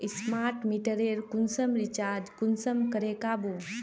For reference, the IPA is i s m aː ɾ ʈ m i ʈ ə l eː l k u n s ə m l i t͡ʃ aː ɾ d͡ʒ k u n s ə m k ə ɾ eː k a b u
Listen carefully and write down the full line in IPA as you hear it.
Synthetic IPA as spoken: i s m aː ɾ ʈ m i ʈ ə ɾ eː ɾ k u n s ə m ɾ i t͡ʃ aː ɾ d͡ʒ k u n s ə m k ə ɾ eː k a b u